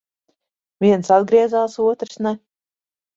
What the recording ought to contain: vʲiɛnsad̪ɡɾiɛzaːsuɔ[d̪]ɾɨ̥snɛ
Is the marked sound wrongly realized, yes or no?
yes